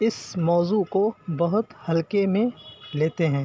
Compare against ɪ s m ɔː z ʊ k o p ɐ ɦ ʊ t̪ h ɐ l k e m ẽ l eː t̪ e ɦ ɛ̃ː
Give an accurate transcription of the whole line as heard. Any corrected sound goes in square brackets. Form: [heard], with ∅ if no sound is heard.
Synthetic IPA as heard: ɪ s m ɔː z [u] k o [b] ɐ ɦ ʊ t̪ h ɐ l k e m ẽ l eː t̪ e ɦ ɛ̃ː